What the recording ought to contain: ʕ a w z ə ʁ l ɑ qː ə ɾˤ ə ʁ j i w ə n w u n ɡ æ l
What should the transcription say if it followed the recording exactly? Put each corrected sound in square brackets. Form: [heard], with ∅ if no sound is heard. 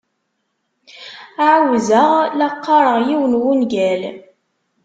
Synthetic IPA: ʕ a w z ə ʁ l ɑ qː [ɑ] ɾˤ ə ʁ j i w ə n w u n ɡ æ l

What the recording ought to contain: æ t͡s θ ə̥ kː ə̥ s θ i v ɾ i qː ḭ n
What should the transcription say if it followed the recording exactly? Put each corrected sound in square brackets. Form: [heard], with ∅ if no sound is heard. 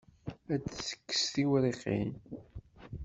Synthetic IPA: æ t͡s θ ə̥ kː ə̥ s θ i [w] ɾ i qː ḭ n

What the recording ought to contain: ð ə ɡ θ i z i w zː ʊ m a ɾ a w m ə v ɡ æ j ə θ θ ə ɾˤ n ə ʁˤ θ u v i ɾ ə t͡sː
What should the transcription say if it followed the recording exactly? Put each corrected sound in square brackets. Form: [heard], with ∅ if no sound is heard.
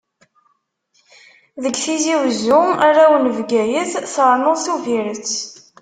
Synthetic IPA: ð ə ɡ θ i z i w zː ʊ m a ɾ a w [n] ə v ɡ æ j ə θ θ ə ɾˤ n ə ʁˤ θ u v i ɾ ə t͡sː

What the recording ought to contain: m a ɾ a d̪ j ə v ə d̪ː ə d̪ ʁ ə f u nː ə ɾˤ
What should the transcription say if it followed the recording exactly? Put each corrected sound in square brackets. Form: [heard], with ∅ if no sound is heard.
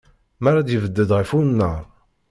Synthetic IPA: m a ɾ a d̪ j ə v ə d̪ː ə d̪ ʁ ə f u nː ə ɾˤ

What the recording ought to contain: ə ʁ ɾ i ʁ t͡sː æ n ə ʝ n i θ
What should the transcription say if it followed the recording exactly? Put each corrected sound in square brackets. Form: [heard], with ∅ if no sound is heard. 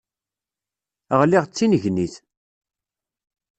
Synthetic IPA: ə ʁ [l] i ʁ t͡sː [i] n ə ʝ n i θ

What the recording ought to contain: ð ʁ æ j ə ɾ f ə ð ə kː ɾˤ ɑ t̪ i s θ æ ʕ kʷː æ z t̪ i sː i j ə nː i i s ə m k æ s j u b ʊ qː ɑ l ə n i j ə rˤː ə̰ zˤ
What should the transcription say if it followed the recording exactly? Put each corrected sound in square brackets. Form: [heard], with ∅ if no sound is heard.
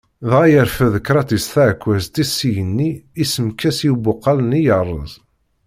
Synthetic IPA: ð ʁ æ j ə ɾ f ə ð ə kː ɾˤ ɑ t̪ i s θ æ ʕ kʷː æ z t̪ i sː i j ə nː i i s ə m k æ s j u b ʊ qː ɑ l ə n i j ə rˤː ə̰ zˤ

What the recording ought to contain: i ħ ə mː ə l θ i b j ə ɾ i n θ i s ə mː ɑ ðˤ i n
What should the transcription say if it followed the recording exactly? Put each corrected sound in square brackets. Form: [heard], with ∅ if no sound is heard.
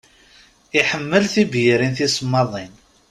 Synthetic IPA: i ħ ə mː ə l θ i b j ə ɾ i n θ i s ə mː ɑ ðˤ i n

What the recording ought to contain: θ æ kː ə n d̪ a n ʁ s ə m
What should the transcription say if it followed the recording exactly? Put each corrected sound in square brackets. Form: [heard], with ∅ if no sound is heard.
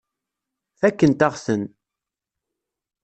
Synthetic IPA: θ æ kː ə n [t̪] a [∅] ʁ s ə [n]

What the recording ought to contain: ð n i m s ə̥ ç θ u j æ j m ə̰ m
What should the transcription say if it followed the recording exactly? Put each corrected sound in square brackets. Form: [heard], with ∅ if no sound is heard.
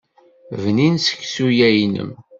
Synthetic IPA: [v] n i [n] s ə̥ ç [s] u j æ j [n] ə̰ m

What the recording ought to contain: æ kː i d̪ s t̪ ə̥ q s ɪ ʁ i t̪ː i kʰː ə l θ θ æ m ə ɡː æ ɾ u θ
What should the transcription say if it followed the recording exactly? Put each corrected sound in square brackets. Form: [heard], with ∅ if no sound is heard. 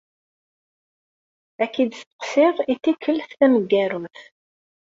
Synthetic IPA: æ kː i d̪ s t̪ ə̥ q s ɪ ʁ i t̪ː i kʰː ə l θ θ æ m ə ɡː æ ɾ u θ

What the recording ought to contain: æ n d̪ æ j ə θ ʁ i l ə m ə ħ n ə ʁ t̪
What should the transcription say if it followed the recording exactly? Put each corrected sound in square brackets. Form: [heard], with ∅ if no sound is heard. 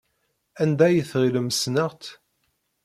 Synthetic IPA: æ n d̪ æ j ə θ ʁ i l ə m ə [s] n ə ʁ t̪

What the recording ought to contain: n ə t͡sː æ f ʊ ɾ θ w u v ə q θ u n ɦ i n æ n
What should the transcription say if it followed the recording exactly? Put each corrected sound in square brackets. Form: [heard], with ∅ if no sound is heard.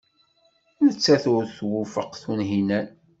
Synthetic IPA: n ə t͡sː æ [θ] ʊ ɾ θ w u [f] ə q θ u n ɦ i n æ n

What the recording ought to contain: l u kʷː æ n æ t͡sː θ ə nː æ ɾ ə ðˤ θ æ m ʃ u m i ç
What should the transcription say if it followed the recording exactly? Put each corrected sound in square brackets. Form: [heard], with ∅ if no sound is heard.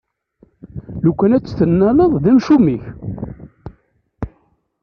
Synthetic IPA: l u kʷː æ n æ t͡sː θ ə nː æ [l] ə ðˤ [ð] æ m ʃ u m i ç

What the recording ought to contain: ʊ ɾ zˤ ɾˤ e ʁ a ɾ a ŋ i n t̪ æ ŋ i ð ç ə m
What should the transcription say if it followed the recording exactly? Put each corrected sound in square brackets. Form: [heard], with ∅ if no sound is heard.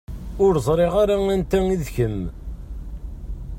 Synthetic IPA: ʊ ɾ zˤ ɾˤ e ʁ a ɾ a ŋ [æ] n t̪ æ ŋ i ð ç ə m

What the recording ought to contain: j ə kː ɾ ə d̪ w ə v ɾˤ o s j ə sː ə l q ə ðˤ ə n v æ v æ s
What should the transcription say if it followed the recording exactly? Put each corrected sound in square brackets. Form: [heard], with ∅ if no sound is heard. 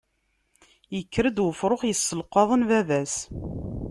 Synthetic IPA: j ə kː ɾ ə d̪ w ə [f] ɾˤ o [χ] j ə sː ə l q [ɑ] ðˤ ə n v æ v æ s

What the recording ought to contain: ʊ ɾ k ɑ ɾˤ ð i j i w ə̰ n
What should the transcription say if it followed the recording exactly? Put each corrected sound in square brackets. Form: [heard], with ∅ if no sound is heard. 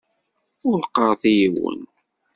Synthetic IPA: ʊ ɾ [q] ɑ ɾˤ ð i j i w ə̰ n

